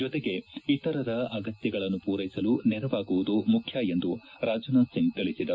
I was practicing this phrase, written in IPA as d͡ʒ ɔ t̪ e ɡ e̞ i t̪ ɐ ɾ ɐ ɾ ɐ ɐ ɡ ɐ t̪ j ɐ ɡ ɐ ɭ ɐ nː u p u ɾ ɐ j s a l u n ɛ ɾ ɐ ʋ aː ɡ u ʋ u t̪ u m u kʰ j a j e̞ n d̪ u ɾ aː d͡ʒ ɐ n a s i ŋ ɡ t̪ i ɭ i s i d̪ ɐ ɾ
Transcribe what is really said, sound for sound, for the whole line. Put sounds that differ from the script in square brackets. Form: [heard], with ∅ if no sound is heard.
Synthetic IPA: d͡ʒ ɔ t̪ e ɡ e̞ i t̪ ɐ ɾ ɐ ɾ ɐ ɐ ɡ ɐ t̪ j ɐ ɡ ɐ ɭ ɐ nː u p [uː] ɾ ɐ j s [ɐ] l u n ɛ ɾ ɐ ʋ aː ɡ u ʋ u [d̪] u m u kʰ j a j e̞ n d̪ u ɾ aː d͡ʒ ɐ n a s i ŋ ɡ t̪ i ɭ i s i d̪ ɐ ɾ